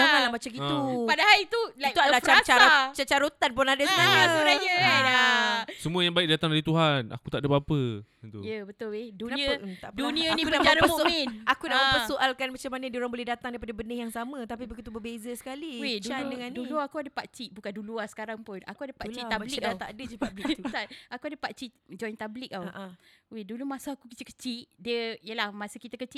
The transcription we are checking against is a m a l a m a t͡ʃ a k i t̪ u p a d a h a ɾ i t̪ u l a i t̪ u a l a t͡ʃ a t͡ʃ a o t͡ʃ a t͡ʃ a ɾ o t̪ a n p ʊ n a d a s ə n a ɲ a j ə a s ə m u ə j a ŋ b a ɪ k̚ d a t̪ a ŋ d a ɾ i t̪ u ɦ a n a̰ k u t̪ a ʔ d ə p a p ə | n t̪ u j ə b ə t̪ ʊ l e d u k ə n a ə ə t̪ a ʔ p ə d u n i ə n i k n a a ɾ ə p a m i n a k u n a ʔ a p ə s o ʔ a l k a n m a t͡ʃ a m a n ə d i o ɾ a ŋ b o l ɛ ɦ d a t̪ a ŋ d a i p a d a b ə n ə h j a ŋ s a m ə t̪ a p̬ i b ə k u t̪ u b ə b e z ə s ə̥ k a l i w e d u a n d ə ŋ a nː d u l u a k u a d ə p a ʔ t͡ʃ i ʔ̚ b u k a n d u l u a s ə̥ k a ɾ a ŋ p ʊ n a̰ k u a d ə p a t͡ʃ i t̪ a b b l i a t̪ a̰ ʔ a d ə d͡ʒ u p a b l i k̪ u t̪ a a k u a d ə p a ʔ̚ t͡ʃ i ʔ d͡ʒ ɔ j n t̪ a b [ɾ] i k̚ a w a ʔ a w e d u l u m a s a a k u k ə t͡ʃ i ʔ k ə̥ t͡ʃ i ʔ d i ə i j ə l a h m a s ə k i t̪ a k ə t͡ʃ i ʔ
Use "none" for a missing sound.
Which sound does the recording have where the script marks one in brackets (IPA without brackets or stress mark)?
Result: l